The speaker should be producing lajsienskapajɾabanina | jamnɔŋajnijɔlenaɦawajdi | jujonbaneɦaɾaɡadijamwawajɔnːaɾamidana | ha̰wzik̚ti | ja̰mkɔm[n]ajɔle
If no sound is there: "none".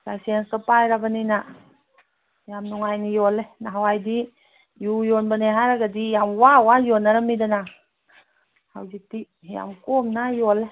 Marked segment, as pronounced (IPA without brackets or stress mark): n